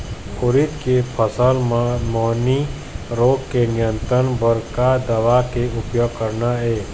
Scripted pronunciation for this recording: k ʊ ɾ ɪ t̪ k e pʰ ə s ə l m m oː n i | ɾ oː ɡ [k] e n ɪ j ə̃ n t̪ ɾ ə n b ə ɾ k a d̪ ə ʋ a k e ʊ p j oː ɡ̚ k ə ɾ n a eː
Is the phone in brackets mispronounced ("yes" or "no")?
no